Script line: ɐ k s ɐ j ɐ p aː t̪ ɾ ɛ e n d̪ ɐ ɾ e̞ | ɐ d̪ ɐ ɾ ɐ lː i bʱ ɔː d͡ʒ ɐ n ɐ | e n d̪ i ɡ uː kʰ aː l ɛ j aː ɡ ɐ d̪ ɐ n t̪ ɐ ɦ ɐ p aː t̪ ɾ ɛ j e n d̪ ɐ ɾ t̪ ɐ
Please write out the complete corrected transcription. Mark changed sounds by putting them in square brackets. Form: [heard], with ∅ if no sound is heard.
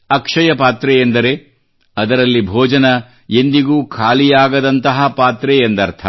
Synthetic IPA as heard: ɐ k [ʂ] ɐ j ɐ p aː t̪ ɾ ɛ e n d̪ ɐ ɾ e̞ | ɐ d̪ ɐ ɾ ɐ lː i bʱ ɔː d͡ʒ ɐ n ɐ | e n d̪ i ɡ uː kʰ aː l [i] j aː ɡ ɐ d̪ ɐ n t̪ ɐ ɦ ɐ p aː t̪ ɾ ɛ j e n d̪ ɐ ɾ [t̪ʰ] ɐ